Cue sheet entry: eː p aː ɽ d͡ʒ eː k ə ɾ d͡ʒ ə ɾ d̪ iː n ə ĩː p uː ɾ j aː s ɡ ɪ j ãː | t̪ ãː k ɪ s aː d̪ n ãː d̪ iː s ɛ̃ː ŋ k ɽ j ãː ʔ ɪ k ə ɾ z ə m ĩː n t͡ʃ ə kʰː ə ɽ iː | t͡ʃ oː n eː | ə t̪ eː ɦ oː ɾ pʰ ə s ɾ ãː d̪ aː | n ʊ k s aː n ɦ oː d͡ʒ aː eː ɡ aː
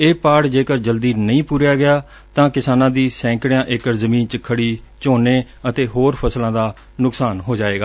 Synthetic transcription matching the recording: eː p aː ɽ d͡ʒ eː k ə ɾ d͡ʒ ə l d̪ iː n ə ĩː p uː ɾ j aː ɡ ɪ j aː | t̪ ãː k ɪ s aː n ãː d̪ iː s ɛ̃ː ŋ k ɽ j ãː ʔ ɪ k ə ɾ z ə m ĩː n t͡ʃ ə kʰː ə ɽ iː | t͡ʃ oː n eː | ə t̪ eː ɦ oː ɾ pʰ ə s l ãː d̪ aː | n ʊ k s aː n ɦ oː d͡ʒ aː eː ɡ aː